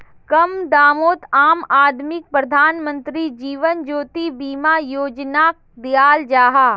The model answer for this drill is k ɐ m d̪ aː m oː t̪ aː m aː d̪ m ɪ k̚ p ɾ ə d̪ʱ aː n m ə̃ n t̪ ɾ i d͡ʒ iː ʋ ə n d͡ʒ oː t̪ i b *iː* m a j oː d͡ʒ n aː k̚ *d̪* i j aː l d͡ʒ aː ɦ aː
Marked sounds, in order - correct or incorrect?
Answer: correct, correct

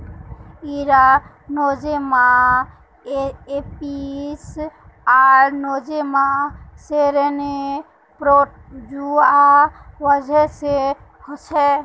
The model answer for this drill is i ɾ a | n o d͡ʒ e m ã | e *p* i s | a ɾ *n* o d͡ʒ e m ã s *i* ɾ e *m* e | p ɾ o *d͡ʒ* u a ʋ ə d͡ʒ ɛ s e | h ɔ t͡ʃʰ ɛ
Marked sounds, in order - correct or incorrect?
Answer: correct, correct, incorrect, incorrect, correct

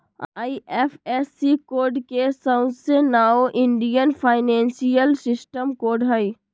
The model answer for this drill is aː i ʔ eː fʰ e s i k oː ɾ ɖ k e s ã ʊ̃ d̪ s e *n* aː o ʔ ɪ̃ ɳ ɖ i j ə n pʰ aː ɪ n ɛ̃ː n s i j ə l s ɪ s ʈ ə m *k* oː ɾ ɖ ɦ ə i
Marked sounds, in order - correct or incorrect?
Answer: correct, correct

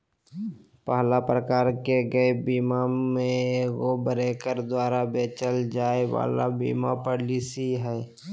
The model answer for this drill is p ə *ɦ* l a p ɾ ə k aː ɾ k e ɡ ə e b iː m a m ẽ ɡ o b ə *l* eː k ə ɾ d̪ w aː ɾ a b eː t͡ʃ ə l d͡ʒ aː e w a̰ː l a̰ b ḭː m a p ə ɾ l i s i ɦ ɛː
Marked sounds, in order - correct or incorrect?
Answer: correct, incorrect

